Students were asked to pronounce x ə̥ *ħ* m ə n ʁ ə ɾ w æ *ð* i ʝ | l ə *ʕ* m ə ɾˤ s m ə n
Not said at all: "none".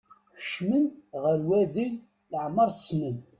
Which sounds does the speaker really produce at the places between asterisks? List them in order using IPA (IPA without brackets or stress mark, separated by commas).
ʃ, ð, ʕ